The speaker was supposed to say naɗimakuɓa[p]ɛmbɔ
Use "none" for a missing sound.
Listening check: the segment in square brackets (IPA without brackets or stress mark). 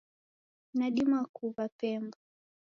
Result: p